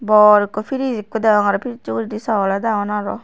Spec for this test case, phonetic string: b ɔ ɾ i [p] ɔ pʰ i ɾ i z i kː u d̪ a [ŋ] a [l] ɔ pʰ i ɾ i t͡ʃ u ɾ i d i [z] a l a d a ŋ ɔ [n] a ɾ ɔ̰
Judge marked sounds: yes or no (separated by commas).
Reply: no, yes, no, no, yes